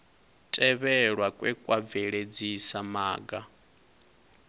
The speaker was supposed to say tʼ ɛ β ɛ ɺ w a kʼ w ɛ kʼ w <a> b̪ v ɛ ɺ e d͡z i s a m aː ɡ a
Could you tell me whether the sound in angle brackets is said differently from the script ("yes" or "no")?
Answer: no